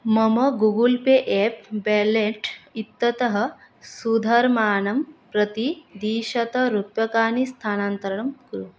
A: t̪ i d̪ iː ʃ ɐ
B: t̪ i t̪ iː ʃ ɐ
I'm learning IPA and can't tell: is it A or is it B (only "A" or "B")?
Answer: A